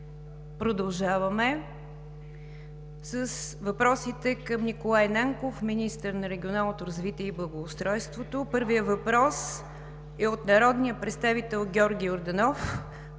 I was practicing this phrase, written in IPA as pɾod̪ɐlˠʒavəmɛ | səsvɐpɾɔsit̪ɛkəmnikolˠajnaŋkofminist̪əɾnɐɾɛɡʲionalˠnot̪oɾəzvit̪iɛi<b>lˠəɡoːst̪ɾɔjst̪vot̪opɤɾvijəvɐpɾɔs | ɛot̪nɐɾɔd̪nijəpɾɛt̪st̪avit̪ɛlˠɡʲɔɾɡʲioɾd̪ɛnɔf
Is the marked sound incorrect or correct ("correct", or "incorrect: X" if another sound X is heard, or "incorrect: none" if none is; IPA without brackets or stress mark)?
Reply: correct